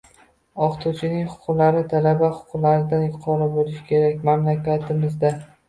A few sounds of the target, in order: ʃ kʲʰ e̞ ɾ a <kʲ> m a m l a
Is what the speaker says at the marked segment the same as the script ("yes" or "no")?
yes